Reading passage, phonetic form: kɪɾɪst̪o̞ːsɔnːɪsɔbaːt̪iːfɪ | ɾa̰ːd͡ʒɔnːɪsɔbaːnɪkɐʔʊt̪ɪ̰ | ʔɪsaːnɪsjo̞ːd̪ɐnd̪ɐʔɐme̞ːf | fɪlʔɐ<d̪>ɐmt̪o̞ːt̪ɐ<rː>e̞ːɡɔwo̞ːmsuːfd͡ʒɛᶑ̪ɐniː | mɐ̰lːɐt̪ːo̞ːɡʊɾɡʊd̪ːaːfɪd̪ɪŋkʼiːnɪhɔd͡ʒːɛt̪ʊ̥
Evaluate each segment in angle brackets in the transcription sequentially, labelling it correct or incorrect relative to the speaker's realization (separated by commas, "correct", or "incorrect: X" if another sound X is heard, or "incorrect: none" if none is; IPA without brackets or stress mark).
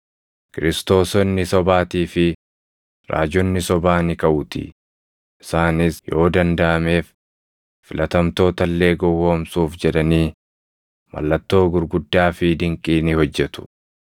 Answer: incorrect: t̪, incorrect: lː